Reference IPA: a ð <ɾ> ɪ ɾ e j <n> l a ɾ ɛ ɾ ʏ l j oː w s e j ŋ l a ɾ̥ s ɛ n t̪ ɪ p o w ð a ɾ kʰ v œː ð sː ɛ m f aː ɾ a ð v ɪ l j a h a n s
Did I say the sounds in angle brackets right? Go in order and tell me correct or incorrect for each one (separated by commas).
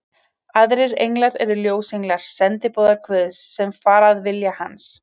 correct, incorrect